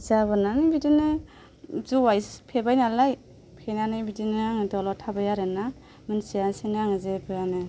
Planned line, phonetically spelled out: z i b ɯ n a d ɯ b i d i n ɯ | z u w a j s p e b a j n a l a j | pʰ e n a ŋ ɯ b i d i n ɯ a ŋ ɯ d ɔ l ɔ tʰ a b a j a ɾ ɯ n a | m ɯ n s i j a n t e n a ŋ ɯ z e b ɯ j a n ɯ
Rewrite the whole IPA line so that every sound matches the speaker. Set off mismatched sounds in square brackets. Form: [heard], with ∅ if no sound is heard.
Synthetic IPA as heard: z [a] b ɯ n a [n] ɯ b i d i n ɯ | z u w a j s [pʰ] e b a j n a l a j | pʰ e n a [n] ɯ b i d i n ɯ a ŋ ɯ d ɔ l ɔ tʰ a b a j a ɾ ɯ n a | m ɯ n s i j a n [s] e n a ŋ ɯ z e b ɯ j a n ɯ